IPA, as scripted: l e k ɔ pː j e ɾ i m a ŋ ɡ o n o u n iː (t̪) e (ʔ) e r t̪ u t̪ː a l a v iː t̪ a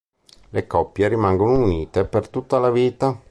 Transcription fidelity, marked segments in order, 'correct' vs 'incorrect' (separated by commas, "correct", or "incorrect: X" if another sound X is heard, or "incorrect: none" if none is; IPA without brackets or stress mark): correct, incorrect: p